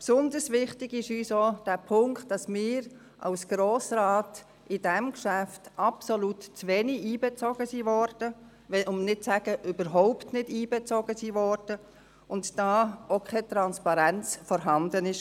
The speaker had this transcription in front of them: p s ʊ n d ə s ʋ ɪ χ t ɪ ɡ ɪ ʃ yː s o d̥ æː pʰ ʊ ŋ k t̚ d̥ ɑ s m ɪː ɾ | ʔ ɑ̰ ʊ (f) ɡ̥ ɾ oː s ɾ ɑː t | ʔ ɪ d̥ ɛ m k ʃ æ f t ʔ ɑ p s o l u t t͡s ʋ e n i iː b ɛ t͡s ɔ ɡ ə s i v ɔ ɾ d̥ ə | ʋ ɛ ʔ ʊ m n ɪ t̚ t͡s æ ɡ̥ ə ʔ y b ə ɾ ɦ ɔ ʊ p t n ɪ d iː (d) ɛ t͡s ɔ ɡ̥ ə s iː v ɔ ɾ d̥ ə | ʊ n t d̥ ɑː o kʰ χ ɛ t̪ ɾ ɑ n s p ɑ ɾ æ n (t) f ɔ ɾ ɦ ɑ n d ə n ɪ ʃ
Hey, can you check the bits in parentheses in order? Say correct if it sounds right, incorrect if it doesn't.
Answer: incorrect: s, incorrect: b, incorrect: t͡s

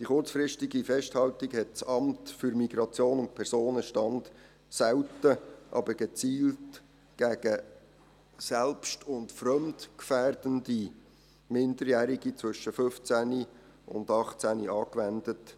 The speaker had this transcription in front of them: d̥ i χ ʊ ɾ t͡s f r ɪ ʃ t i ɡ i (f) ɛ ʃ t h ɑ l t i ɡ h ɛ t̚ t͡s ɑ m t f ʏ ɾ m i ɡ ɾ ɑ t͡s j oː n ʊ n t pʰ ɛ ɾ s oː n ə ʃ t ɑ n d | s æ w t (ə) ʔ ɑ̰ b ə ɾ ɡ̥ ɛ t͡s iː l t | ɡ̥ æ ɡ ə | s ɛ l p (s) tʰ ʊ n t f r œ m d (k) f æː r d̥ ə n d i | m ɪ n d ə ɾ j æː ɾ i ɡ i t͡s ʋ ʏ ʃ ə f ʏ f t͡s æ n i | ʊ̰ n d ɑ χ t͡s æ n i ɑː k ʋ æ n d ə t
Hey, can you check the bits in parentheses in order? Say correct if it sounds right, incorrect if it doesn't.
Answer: correct, correct, incorrect: ʃ, correct

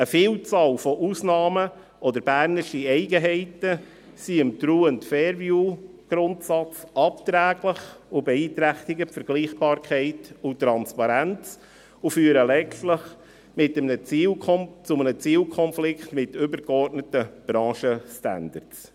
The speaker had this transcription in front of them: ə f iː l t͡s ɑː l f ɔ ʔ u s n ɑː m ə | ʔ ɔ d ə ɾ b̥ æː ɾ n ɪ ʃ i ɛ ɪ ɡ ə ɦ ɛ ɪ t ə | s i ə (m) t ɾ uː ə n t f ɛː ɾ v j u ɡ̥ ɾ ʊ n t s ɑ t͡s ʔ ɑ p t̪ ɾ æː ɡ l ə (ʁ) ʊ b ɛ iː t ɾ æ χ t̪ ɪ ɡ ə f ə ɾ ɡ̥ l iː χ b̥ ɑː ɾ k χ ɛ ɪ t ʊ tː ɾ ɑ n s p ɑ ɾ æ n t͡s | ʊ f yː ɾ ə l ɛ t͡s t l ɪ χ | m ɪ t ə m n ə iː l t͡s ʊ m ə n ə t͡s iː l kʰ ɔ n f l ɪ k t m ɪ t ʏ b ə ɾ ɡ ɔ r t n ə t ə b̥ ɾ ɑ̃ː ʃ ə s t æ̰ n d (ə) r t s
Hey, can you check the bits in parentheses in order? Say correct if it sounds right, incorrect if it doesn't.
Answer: correct, incorrect: χ, correct

